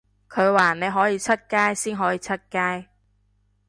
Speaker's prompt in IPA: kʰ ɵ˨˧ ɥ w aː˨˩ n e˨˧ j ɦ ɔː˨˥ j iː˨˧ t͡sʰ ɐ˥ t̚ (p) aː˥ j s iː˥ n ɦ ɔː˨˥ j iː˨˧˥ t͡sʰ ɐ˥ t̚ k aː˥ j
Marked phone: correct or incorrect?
incorrect